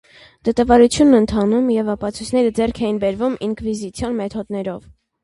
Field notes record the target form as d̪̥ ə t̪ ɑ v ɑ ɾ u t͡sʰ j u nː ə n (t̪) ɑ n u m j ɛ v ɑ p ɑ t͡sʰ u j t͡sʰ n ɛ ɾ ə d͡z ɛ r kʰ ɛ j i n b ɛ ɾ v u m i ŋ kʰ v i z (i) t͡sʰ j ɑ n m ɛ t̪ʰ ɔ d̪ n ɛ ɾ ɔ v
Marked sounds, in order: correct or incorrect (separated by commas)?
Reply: incorrect, correct